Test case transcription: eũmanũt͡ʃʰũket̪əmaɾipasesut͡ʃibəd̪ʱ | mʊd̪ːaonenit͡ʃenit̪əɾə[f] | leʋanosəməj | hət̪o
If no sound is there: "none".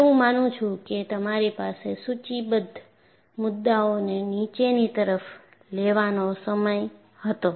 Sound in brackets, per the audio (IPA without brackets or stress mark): f